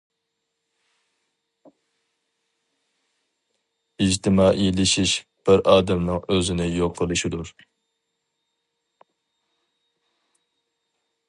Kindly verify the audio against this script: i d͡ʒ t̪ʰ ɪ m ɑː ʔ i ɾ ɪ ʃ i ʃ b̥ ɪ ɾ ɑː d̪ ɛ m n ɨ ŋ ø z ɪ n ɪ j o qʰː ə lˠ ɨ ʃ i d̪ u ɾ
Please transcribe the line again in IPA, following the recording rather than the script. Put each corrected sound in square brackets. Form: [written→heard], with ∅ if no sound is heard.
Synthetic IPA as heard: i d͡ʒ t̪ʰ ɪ m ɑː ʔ i [ɾ→l] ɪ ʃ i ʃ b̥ ɪ ɾ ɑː d̪ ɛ m n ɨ ŋ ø z ɪ n ɪ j o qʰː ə lˠ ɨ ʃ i d̪ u ɾ

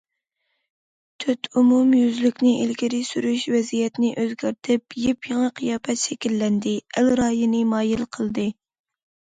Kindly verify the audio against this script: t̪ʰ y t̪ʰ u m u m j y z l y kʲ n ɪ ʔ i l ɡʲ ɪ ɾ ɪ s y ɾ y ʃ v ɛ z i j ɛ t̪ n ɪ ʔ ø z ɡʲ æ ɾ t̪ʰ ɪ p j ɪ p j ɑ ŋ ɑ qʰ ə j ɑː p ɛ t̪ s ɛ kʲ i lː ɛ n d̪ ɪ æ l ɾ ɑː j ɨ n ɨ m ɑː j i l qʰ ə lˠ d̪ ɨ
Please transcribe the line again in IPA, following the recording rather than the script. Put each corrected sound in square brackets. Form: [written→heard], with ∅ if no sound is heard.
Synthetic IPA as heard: t̪ʰ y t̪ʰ u m u m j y z l y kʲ n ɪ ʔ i l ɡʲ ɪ ɾ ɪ s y ɾ y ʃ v ɛ z i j ɛ t̪ n ɪ ʔ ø z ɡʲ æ ɾ t̪ʰ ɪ p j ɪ p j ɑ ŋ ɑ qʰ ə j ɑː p ɛ t̪ [s→ʃ] ɛ kʲ i lː ɛ n d̪ ɪ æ l ɾ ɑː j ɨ n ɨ m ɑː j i l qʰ ə lˠ d̪ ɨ

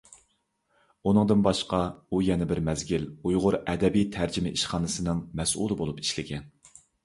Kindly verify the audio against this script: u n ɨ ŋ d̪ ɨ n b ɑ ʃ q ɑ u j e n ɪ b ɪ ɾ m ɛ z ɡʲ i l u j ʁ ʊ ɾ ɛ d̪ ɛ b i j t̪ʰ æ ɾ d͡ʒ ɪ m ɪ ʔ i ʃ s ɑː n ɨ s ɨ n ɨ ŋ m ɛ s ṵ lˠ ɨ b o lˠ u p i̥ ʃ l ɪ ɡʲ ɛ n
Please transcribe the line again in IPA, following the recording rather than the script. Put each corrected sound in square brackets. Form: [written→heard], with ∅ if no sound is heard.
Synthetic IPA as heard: u n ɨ ŋ d̪ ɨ n b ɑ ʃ q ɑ u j [e→ɛ] n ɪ b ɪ ɾ m ɛ z ɡʲ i l u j ʁ ʊ ɾ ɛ d̪ ɛ b i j t̪ʰ æ ɾ d͡ʒ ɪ m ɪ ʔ i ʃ [s→χ] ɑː n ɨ s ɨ n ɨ ŋ m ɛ s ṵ lˠ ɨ b o lˠ u p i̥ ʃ l ɪ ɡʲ ɛ n

